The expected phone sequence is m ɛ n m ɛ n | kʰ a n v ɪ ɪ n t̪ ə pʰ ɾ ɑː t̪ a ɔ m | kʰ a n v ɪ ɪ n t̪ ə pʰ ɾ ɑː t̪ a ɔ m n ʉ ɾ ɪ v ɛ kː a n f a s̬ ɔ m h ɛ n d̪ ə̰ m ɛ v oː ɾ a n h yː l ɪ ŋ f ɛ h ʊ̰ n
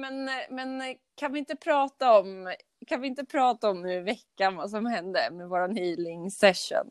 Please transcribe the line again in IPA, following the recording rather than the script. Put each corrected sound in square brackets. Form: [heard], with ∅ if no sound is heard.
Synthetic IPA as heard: m ɛ n m ɛ n | kʰ a n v ɪ ɪ n t̪ ə pʰ ɾ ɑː t̪ a ɔ m | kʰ a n v ɪ ɪ n t̪ ə pʰ ɾ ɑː t̪ a ɔ m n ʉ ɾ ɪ v ɛ kː a n [v] a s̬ ɔ m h ɛ n d̪ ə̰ m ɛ v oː ɾ a n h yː l ɪ ŋ [s] ɛ [ʂ] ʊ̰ n